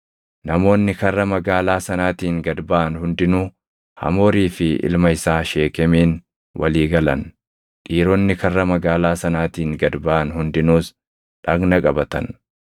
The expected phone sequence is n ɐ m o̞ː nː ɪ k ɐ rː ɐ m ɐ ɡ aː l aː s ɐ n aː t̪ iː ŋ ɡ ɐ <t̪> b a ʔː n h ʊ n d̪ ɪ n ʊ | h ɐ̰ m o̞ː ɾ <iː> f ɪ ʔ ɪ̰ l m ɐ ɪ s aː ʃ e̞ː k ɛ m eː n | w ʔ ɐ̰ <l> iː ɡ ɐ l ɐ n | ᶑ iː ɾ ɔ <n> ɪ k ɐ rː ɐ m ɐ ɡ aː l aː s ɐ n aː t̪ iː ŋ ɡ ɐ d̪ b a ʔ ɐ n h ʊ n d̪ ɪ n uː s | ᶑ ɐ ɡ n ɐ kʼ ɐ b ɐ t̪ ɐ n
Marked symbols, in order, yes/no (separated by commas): no, yes, yes, no